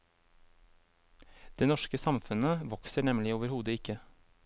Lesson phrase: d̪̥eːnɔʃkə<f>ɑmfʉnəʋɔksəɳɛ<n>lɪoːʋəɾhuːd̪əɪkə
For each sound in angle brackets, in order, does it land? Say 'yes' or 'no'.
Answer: no, no

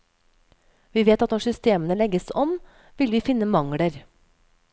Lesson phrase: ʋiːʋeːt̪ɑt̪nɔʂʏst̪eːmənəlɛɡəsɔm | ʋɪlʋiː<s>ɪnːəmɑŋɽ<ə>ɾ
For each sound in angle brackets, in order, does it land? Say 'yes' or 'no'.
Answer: no, yes

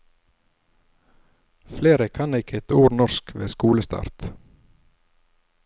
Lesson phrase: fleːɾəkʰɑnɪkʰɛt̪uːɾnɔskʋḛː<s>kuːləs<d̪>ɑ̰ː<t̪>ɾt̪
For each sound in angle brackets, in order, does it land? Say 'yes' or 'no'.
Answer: yes, no, no

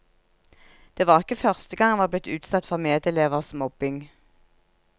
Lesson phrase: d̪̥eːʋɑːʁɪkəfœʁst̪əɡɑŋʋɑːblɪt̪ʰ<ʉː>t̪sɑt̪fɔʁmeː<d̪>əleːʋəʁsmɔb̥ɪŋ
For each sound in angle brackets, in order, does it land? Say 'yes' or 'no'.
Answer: yes, yes

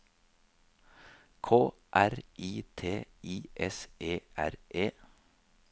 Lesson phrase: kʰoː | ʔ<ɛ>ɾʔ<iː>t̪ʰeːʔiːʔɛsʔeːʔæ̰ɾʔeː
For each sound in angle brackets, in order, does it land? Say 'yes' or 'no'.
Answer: no, yes

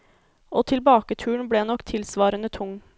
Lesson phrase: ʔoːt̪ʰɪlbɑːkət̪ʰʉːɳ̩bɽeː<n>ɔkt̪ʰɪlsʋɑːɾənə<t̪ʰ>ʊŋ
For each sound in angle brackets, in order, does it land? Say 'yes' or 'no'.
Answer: yes, yes

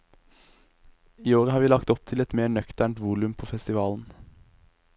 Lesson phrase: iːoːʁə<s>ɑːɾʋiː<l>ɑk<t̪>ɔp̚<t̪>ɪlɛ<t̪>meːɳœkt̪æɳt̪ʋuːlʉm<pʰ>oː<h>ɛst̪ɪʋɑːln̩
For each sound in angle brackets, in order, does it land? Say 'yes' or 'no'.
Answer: no, yes, yes, no, yes, yes, no

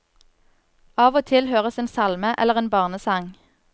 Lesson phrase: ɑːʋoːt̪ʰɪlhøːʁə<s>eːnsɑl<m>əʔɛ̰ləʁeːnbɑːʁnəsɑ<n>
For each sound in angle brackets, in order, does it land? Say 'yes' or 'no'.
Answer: yes, yes, no

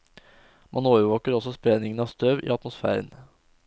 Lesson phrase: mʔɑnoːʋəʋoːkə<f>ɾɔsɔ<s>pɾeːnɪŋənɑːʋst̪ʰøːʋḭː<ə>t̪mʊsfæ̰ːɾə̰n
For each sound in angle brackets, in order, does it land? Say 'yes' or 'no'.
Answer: no, yes, no

